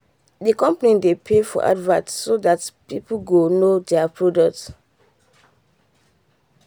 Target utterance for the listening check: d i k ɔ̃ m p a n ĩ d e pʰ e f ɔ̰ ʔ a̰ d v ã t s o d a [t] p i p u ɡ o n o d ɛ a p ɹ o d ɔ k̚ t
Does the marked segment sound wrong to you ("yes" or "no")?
no